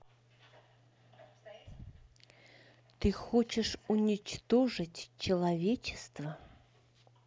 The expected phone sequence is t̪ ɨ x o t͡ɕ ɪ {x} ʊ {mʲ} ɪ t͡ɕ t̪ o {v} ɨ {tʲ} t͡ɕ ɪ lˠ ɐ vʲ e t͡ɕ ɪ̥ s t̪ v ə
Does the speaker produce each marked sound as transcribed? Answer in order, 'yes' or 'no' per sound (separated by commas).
no, no, no, yes